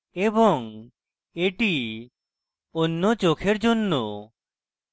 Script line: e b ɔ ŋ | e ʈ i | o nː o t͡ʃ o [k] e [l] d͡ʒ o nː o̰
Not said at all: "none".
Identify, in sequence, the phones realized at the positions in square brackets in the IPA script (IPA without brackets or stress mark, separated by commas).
kʰ, ɾ